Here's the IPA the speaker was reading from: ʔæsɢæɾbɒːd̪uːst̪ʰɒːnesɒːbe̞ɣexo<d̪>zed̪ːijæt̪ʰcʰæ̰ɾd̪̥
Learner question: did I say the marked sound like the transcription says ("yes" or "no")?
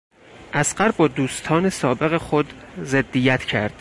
yes